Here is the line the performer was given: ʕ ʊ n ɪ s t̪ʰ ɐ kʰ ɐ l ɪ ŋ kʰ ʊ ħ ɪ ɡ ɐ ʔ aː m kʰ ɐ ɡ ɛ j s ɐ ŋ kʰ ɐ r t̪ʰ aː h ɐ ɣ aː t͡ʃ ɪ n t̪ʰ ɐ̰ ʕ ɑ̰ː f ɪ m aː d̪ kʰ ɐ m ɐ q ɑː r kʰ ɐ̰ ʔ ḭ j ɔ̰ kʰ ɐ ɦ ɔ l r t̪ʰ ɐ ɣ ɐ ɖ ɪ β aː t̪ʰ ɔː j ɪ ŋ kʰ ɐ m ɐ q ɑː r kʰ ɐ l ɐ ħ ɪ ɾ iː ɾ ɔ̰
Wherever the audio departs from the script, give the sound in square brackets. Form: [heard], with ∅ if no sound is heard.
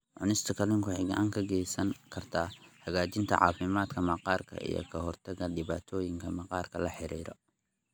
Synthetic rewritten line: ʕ ʊ n ɪ s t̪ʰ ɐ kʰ ɐ l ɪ ŋ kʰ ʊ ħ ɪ ɡ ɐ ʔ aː [ŋ] kʰ ɐ ɡ ɛ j s ɐ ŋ kʰ ɐ r t̪ʰ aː h ɐ ɣ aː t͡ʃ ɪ n t̪ʰ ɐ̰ ʕ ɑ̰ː f ɪ m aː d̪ kʰ ɐ m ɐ q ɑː r kʰ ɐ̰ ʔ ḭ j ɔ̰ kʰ ɐ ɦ ɔ [∅] r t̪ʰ ɐ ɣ ɐ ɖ ɪ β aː t̪ʰ ɔː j ɪ ŋ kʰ ɐ m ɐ q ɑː r kʰ ɐ l ɐ ħ ɪ ɾ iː ɾ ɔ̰